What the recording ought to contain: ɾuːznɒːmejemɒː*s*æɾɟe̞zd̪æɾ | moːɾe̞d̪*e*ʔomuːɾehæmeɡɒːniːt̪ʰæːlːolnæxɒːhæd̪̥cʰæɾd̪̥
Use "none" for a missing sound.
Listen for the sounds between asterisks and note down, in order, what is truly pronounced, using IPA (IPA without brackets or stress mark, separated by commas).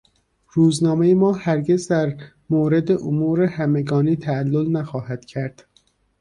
h, e